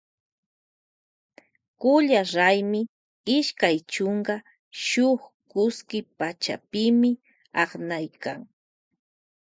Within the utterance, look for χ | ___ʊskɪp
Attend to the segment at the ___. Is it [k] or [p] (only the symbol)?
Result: k